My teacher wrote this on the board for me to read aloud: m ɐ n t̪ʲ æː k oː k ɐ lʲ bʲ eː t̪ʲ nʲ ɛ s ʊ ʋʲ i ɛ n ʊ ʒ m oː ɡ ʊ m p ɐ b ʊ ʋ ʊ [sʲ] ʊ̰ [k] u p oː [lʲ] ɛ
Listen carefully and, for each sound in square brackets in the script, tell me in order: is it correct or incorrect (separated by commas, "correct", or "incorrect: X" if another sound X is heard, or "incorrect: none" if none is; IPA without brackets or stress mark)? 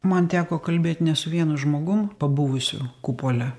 correct, correct, correct